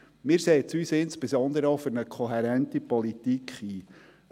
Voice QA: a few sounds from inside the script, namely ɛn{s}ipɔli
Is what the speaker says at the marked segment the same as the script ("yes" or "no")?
no